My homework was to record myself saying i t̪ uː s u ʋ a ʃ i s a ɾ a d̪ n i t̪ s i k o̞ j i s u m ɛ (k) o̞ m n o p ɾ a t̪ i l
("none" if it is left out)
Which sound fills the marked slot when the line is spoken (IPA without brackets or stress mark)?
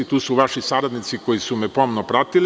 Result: p